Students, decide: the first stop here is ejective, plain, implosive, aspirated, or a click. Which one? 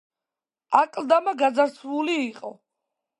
ejective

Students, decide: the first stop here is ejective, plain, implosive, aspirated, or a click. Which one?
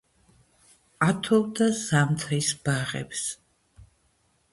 aspirated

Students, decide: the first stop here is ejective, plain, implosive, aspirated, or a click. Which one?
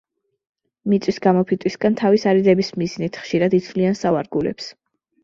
plain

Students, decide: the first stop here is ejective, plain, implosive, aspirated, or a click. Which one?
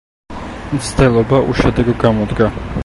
plain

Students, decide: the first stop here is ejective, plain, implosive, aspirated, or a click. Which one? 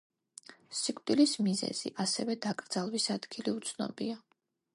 ejective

